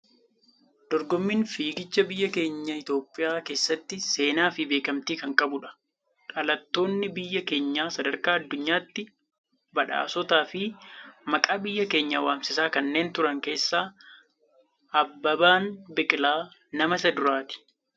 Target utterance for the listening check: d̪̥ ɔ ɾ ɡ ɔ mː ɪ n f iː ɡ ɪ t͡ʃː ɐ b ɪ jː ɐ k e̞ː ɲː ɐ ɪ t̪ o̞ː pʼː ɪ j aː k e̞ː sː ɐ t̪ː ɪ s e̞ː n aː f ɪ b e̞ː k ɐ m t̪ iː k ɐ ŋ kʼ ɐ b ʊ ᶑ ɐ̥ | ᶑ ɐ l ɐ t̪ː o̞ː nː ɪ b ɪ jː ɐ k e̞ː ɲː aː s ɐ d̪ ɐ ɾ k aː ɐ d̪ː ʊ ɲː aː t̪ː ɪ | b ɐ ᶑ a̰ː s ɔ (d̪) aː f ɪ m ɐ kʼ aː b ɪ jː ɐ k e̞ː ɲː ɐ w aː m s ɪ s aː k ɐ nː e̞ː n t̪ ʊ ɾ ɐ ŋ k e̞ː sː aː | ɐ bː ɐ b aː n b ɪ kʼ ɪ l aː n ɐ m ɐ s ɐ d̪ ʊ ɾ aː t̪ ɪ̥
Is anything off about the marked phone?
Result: yes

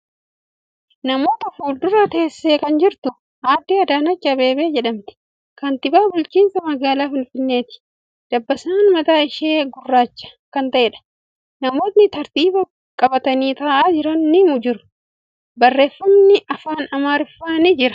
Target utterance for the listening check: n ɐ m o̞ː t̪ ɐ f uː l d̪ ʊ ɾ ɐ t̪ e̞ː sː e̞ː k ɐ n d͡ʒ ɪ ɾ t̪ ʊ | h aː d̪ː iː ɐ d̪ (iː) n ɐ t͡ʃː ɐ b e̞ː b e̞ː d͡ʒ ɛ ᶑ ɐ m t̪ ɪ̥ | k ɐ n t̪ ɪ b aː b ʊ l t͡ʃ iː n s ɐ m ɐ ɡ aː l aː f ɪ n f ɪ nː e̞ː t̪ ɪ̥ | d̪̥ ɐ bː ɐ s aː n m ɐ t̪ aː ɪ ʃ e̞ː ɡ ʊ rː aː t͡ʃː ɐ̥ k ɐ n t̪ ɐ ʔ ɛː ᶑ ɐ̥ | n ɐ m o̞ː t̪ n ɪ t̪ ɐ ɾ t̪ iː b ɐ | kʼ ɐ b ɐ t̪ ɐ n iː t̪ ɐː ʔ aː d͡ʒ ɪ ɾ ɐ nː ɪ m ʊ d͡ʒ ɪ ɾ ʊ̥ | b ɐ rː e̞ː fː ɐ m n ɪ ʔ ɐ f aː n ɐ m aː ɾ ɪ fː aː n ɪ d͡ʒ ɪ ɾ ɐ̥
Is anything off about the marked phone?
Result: yes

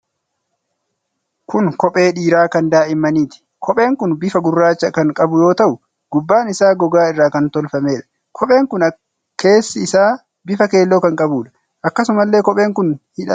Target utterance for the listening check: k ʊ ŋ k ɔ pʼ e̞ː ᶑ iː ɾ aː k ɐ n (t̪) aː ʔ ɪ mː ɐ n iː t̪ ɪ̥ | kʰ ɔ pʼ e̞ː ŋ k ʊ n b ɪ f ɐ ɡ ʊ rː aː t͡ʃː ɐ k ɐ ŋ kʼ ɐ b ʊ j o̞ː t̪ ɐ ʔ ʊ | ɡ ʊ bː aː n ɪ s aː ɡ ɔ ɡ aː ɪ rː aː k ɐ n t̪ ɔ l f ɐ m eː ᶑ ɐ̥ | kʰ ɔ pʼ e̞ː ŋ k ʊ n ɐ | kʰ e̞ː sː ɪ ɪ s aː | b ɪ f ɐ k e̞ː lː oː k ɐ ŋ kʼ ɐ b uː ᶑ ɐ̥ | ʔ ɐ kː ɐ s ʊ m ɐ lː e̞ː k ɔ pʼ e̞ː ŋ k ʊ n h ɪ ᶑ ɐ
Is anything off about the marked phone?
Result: yes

